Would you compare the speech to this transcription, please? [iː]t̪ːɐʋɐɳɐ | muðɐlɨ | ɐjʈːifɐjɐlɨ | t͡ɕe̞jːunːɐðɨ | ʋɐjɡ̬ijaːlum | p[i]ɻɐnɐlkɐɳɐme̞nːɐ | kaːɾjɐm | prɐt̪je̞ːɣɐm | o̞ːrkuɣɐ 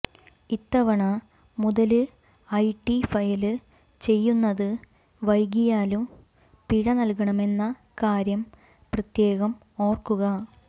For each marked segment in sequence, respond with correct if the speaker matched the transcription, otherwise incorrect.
incorrect: i, correct

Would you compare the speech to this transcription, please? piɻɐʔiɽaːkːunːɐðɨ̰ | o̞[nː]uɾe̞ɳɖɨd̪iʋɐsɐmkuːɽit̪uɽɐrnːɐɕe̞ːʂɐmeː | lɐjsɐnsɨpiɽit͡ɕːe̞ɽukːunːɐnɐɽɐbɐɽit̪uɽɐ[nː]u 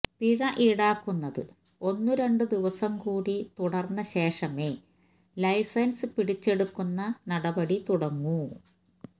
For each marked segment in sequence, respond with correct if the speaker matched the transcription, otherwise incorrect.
correct, incorrect: ŋː

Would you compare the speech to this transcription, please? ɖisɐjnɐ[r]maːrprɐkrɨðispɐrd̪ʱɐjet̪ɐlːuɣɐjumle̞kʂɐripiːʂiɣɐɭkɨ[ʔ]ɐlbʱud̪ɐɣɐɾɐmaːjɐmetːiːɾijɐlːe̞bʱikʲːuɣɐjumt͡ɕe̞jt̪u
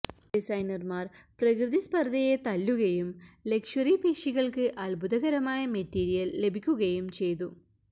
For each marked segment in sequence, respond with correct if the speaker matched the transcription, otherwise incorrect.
correct, correct

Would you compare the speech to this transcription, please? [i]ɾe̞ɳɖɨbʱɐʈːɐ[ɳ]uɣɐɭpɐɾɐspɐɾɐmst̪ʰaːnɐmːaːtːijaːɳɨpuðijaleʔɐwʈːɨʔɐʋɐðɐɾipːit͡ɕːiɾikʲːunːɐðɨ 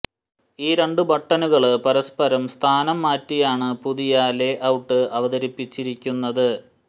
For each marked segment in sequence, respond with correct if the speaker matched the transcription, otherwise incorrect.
incorrect: iː, incorrect: n

